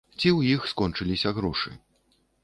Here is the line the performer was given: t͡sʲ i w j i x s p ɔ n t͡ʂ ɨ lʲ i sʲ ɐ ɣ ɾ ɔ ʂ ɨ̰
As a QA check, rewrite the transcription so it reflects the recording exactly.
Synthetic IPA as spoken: t͡sʲ i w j i x s k ɔ n t͡ʂ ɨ lʲ i sʲ ɐ ɣ ɾ ɔ ʂ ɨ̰

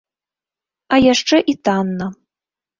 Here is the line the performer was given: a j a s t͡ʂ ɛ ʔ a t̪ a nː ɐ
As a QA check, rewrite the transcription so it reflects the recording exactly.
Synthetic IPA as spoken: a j a ʂ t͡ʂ ɛ ʔ i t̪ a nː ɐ

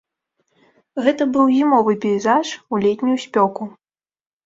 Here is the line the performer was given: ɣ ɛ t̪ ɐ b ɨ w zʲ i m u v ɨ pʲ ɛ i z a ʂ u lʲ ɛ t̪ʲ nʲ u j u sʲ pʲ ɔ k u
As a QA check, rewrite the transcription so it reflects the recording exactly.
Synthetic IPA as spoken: ɣ ɛ t̪ ɐ b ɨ w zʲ i m ɔ v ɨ pʲ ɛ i z a ʂ u lʲ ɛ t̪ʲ nʲ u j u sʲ pʲ ɔ k u

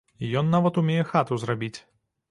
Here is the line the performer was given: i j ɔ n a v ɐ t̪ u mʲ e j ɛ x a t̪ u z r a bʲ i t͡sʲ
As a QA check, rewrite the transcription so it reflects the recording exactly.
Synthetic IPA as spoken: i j ɔ nː a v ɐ t̪ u mʲ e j ɛ x a t̪ u z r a bʲ i t͡sʲ

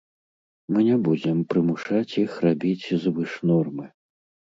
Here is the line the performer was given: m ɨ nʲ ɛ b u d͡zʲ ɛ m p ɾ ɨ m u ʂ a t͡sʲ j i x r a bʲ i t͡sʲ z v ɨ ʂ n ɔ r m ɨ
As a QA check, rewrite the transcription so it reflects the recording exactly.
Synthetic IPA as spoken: m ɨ nʲ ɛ b u d͡zʲ ɛ m p ɾ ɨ m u ʂ a t͡sʲ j i x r a bʲ i t͡sʲ z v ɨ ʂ n ɔ r m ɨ

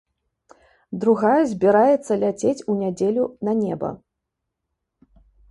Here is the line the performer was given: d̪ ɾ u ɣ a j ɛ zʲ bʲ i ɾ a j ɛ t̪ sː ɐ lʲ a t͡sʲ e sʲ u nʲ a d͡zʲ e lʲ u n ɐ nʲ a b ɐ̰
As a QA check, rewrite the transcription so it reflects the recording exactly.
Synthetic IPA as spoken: d̪ ɾ u ɣ a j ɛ zʲ bʲ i ɾ a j ɛ t̪ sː ɐ lʲ a t͡sʲ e t͡sʲ u nʲ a d͡zʲ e lʲ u n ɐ nʲ ɛ b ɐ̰

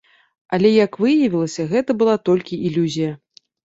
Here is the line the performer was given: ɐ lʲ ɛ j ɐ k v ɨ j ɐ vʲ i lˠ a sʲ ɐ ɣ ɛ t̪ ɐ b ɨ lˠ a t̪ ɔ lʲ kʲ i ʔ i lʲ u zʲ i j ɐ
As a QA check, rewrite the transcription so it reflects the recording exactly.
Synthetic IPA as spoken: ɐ lʲ ɛ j ɐ k v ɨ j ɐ vʲ i lˠ ɐ sʲ ɐ ɣ ɛ t̪ ɐ b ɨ lˠ a t̪ ɔ lʲ kʲ i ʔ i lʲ u zʲ i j ɐ

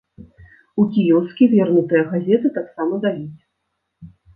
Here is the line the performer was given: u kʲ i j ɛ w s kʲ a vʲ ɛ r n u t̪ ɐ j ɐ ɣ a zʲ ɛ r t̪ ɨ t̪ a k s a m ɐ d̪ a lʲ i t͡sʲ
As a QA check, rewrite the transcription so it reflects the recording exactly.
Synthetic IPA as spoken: u kʲ i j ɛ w s kʲ i vʲ ɛ r n u t̪ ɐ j ɐ ɣ a zʲ ɛ t̪ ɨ t̪ a k s a m ɐ d̪ a lʲ i t͡sʲ

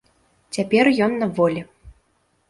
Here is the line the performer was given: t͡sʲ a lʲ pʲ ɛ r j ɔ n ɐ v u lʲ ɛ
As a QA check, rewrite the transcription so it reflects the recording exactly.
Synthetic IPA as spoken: t͡sʲ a pʲ ɛ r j ɔ nː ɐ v ɔ lʲ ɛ

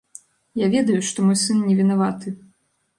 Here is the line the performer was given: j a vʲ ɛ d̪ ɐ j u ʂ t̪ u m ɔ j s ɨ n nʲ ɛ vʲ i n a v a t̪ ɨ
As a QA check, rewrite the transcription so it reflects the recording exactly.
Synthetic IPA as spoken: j a vʲ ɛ d̪ ɐ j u ʂ t̪ ɔ m ɔ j s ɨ n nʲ ɛ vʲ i n a v a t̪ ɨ

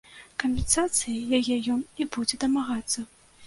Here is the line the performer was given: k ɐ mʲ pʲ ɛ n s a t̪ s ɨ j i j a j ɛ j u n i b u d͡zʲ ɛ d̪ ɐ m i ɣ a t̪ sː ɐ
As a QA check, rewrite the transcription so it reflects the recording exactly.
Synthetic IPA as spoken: k ɐ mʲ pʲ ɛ n s a t̪ s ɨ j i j a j ɛ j ɔ n i b u d͡zʲ ɛ d̪ ɐ m a ɣ a t̪ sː ɐ

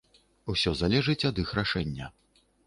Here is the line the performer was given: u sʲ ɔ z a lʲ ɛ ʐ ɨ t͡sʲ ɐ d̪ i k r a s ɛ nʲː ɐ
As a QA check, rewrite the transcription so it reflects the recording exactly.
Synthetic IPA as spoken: u sʲ ɔ z a lʲ ɛ ʐ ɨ t͡sʲ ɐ d̪ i x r a ʂ ɛ nʲː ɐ

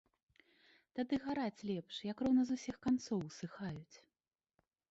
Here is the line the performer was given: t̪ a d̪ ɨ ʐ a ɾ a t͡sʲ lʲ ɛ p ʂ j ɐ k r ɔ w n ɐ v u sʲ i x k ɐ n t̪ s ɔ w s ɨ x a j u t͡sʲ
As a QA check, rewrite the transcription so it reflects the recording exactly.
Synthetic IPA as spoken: t̪ a d̪ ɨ ɣ a ɾ a t͡sʲ lʲ ɛ p ʂ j ɐ k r ɔ w n ɐ z u sʲ i x k a n t̪ s ɔ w s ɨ x a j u t͡sʲ

